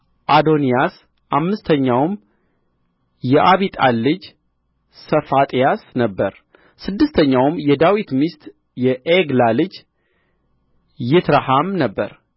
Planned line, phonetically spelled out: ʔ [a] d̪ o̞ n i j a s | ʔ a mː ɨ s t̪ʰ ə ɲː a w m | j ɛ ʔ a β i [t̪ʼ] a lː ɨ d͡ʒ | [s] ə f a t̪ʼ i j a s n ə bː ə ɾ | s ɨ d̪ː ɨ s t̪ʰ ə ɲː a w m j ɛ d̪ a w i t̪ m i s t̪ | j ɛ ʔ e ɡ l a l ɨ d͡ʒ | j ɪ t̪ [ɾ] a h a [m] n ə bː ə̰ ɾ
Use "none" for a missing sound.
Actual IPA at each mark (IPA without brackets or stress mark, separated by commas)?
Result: a, t̪ʼ, s, ɾ, m